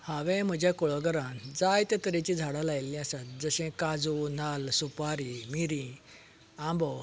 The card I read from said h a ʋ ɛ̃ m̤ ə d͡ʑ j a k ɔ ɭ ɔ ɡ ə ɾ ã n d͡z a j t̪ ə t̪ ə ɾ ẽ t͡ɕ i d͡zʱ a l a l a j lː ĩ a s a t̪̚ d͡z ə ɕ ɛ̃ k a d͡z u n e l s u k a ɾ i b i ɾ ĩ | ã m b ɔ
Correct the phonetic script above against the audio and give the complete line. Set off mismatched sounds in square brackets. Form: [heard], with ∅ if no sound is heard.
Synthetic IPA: h a ʋ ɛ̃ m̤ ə d͡ʑ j a k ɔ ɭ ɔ ɡ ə ɾ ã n d͡z a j t̪ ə t̪ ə ɾ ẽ t͡ɕ i d͡zʱ a [ɽ] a l a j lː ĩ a s a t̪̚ d͡z ə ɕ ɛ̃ k a d͡z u n [a] l s u [p] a ɾ i [m] i ɾ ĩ | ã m b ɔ